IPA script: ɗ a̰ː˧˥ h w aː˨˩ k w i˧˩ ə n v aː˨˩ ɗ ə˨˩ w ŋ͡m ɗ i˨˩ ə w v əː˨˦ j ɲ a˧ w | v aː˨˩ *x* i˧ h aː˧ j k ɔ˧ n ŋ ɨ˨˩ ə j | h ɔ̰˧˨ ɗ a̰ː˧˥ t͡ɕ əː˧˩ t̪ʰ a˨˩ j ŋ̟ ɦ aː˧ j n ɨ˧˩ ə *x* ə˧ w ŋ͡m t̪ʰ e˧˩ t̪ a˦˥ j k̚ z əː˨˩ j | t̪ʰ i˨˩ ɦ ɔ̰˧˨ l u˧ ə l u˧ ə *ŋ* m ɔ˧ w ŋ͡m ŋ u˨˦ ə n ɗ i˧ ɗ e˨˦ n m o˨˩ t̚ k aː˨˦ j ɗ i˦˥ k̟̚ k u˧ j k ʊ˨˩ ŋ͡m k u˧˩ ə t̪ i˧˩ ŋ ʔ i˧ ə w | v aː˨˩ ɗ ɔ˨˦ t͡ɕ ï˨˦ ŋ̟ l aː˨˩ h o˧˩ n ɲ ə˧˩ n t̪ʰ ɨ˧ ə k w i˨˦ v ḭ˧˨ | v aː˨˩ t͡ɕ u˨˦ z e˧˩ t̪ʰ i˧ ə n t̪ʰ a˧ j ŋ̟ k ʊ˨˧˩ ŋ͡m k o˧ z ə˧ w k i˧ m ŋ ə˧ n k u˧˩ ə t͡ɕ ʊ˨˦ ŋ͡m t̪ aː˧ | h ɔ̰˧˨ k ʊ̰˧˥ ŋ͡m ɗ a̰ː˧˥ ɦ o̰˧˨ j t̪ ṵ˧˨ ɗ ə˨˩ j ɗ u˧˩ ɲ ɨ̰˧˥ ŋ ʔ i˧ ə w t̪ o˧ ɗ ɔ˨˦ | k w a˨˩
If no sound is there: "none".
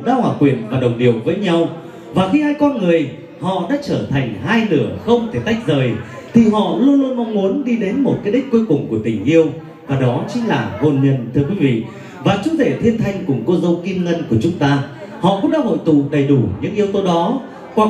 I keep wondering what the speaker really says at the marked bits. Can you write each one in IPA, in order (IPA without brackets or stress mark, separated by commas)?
x, x, n